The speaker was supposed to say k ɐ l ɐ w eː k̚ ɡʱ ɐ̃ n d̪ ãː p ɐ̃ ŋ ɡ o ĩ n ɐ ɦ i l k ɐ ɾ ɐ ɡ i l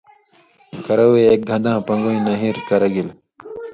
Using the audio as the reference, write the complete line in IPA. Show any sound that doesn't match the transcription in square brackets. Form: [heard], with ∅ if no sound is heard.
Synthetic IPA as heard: k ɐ [ɾ] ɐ w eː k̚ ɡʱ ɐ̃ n d̪ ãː p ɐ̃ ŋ ɡ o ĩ n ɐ ɦ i [ɾ] k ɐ ɾ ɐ ɡ i l